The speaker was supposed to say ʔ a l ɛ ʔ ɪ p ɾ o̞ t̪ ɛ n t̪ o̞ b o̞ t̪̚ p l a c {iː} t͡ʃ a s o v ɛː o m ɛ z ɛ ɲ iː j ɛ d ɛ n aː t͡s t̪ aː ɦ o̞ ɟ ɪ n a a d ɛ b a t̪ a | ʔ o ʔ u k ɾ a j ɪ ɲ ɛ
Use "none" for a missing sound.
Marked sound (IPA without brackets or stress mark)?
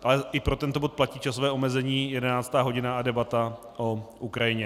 iː